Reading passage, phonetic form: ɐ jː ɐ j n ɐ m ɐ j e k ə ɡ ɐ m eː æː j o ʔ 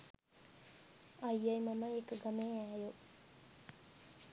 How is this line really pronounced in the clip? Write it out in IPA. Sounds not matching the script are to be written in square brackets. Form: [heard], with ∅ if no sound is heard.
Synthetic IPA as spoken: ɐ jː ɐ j [m] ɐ m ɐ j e k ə ɡ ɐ m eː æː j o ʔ